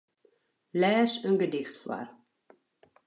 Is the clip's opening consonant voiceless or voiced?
voiced